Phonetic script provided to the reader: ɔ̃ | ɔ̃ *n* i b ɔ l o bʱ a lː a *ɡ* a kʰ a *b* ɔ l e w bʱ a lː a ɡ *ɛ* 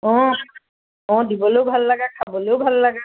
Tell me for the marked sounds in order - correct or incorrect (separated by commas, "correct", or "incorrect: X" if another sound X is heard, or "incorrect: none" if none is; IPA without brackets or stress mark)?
incorrect: d, correct, correct, incorrect: a